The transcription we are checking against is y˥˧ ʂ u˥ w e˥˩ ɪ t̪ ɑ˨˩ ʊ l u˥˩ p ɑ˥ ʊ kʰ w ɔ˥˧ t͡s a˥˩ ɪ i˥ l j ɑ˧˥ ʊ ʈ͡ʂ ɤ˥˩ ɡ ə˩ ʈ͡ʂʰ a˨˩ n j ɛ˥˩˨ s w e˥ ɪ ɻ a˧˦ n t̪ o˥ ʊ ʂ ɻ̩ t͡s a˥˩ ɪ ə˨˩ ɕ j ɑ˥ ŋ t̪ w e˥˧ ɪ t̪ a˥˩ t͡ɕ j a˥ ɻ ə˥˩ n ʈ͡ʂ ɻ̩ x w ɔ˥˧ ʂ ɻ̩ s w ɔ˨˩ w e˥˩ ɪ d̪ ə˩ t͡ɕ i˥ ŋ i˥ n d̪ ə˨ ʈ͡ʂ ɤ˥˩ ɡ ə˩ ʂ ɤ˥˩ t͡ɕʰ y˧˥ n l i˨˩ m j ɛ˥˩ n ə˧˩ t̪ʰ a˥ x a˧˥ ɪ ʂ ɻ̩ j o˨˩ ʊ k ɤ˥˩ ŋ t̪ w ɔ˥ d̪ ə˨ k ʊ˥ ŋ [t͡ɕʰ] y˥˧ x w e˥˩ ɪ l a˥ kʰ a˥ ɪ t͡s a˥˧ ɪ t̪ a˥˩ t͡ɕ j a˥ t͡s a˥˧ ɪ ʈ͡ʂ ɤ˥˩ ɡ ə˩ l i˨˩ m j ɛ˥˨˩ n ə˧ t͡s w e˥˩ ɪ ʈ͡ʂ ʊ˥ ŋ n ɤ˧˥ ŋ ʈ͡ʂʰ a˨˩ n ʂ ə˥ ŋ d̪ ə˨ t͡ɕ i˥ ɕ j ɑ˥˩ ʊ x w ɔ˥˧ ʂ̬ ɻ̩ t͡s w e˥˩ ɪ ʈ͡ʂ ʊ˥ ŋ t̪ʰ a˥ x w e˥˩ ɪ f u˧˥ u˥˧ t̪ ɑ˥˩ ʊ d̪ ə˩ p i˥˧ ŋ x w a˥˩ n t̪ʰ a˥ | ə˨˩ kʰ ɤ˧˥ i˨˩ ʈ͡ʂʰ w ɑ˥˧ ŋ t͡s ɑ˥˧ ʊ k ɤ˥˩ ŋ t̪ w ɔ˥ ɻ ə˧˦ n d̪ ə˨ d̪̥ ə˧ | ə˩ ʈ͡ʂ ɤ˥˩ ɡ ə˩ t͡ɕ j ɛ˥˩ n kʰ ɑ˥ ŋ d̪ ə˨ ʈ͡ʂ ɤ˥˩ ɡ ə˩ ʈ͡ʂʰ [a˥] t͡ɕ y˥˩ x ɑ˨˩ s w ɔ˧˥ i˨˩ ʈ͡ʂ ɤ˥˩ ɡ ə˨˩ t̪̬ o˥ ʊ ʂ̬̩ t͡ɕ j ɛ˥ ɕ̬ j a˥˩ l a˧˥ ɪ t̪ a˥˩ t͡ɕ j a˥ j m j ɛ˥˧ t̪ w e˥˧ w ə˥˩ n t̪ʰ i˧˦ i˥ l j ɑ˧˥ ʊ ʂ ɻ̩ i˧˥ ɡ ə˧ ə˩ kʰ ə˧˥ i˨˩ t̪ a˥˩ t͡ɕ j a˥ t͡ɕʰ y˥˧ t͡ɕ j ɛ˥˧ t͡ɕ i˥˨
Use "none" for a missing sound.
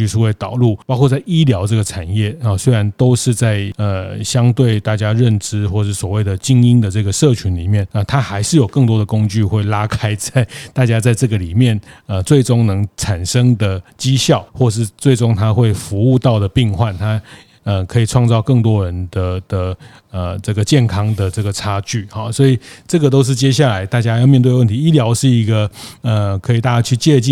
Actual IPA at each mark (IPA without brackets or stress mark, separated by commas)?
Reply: t͡ɕ, a˥